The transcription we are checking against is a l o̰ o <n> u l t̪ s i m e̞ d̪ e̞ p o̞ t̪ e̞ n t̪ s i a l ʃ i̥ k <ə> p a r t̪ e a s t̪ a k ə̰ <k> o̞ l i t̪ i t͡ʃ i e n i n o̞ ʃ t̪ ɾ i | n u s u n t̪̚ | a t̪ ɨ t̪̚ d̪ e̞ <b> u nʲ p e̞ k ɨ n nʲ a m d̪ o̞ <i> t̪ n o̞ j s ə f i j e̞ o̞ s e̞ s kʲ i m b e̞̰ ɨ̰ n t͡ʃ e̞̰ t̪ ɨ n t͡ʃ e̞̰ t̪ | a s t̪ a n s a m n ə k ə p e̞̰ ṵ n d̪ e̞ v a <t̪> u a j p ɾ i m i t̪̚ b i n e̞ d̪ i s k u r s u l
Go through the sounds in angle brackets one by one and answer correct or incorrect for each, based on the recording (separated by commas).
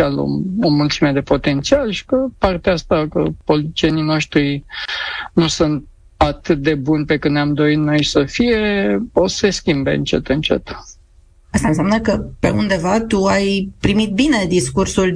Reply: incorrect, correct, incorrect, correct, correct, correct